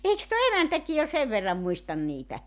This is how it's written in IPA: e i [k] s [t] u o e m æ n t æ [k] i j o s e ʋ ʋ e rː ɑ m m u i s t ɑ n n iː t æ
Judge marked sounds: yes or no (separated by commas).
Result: yes, yes, yes